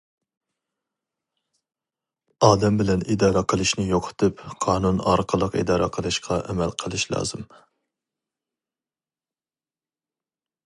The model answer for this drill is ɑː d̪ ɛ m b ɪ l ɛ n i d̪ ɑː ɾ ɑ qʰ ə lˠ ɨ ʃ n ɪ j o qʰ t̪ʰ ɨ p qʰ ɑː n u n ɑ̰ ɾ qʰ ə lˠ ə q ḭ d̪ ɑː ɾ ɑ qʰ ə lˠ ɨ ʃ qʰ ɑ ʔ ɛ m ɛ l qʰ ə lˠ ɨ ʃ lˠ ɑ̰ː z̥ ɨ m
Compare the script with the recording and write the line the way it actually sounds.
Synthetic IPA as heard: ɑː d̪ ɛ m b ɪ l ɛ n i d̪ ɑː ɾ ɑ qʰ ə lˠ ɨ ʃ n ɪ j o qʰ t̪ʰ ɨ p qʰ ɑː n u n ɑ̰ ɾ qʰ ə lˠ ə q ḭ d̪ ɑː ɾ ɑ qʰ ə lˠ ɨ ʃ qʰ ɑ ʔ ɛ m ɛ l qʰ ə lˠ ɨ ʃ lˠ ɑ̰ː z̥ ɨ m